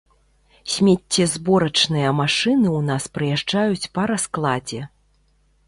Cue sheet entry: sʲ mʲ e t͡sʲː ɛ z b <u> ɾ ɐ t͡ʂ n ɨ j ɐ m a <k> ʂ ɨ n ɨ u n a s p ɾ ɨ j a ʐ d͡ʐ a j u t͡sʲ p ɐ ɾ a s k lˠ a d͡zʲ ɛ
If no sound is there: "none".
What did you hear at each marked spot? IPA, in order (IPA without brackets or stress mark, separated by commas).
ɔ, none